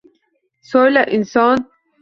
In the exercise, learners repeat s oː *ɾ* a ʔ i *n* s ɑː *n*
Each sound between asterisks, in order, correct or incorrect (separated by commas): incorrect, correct, correct